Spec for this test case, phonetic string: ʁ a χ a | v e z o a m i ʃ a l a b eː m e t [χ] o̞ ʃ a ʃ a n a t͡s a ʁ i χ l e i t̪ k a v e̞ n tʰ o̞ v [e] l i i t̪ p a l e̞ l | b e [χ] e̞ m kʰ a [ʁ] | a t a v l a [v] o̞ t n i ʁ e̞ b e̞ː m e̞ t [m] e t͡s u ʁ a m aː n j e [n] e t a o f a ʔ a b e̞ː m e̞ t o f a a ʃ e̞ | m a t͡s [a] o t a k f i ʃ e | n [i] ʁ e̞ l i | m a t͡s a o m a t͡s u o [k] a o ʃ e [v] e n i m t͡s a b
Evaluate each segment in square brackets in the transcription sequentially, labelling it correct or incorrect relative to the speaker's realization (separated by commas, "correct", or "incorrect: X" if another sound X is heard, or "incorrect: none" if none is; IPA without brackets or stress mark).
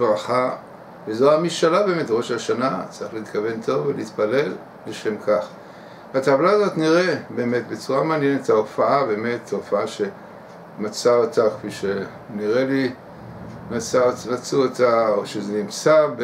incorrect: ʁ, correct, incorrect: ʃ, incorrect: χ, incorrect: z, incorrect: b, correct, correct, correct, incorrect: t, incorrect: z